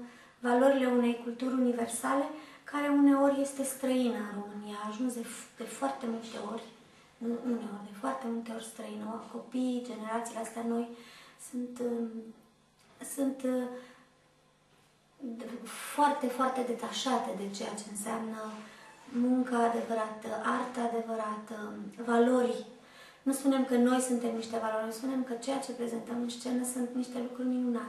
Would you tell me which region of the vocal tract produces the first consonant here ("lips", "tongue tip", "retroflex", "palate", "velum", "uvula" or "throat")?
lips